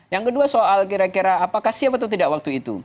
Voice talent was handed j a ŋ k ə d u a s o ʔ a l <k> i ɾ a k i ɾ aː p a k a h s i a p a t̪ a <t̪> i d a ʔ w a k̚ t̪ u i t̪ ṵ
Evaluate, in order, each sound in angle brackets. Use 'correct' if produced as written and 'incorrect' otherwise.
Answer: correct, correct

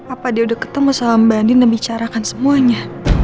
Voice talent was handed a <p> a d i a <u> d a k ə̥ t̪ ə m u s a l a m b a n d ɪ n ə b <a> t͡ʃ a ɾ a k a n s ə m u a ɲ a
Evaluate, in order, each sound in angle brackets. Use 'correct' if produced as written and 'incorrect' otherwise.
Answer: correct, correct, incorrect

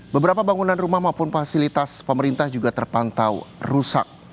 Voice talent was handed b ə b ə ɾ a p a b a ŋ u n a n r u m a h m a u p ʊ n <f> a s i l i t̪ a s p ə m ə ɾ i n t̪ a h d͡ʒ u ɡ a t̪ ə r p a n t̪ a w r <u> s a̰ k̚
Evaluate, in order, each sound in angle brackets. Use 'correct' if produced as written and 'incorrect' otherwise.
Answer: correct, correct

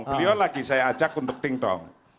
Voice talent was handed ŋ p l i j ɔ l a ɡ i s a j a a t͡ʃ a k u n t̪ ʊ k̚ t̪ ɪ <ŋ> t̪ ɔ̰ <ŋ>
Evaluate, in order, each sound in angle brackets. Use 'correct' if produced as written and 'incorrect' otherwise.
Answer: correct, correct

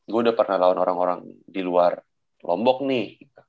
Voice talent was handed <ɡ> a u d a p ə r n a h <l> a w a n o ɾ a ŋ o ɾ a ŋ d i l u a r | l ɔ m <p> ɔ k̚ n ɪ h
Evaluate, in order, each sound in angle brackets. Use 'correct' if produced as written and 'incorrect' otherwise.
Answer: correct, correct, incorrect

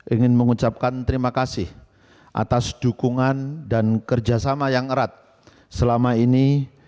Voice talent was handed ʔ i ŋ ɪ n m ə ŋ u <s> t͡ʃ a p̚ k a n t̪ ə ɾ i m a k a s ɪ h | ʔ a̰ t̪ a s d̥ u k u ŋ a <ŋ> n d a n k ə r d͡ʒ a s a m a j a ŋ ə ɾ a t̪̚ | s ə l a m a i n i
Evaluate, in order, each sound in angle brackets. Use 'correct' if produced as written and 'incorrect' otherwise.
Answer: incorrect, incorrect

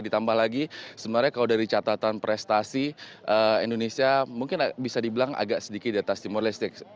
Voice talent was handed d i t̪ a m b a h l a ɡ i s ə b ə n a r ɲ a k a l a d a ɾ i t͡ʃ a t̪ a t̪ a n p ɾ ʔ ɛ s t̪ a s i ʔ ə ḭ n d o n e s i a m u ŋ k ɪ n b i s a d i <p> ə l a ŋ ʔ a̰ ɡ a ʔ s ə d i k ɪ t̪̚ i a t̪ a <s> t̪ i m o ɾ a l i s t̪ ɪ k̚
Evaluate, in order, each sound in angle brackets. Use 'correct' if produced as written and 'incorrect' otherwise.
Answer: incorrect, correct

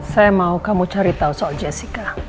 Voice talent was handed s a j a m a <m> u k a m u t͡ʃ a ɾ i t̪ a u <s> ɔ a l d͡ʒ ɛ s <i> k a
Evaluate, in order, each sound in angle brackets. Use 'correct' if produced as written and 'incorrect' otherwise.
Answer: incorrect, correct, correct

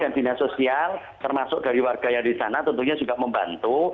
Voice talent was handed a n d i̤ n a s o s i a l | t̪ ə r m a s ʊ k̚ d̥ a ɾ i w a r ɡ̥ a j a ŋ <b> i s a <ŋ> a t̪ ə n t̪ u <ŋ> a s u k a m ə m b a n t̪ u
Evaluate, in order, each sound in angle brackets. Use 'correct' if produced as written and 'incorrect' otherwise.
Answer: incorrect, incorrect, incorrect

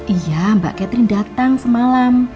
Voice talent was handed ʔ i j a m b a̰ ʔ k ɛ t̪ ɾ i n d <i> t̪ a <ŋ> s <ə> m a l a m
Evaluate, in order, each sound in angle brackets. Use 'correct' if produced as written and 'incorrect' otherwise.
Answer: incorrect, correct, correct

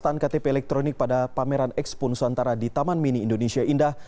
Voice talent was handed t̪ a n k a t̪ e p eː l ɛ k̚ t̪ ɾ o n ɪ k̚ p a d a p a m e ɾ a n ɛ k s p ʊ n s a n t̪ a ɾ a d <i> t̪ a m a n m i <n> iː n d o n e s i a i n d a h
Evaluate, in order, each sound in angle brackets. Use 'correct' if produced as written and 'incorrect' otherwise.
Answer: correct, correct

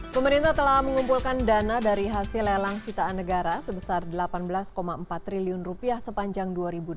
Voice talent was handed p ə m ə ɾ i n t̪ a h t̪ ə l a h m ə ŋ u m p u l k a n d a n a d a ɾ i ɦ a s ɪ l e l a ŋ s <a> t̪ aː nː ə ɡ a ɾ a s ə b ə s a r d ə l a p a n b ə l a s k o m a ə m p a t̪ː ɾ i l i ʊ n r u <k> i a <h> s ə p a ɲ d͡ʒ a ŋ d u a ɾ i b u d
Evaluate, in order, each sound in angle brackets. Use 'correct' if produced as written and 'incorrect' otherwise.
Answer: incorrect, incorrect, correct

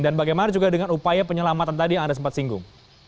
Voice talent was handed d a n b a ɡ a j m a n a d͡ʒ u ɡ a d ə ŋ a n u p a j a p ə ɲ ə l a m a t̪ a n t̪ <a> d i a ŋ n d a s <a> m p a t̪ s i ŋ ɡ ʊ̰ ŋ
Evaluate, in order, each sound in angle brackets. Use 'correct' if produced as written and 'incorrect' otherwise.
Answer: correct, incorrect

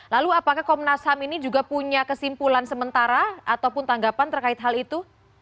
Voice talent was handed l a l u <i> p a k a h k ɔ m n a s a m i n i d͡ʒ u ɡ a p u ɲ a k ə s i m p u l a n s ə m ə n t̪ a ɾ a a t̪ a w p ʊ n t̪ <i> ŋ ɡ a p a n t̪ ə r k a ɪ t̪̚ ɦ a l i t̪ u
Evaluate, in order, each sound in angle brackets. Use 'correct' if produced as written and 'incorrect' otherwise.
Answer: incorrect, incorrect

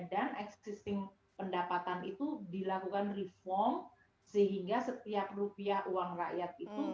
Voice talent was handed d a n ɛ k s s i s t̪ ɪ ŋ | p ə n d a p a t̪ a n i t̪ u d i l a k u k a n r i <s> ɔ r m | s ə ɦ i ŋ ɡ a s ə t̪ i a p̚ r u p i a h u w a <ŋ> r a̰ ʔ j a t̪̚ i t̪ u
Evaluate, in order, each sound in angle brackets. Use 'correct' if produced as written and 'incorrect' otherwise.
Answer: incorrect, correct

